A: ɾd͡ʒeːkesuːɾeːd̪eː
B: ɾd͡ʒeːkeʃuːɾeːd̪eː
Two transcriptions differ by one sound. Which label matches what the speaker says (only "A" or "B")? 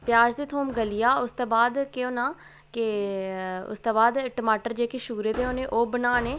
B